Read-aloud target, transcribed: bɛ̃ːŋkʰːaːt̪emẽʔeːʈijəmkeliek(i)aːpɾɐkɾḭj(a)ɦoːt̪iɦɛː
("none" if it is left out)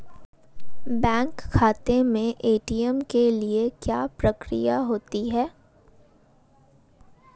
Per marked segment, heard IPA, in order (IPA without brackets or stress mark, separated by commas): j, a